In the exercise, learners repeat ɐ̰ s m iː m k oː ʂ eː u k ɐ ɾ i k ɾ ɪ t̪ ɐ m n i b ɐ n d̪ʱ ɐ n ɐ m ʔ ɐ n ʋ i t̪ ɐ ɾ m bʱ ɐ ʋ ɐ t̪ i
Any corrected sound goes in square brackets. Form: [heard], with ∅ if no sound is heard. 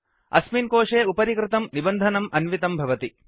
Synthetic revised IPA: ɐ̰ s m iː [n] k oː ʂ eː u [p] ɐ ɾ i k ɾ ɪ t̪ ɐ m n i b ɐ n d̪ʱ ɐ n ɐ m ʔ ɐ n ʋ i t̪ ɐ [∅] m bʱ ɐ ʋ ɐ t̪ i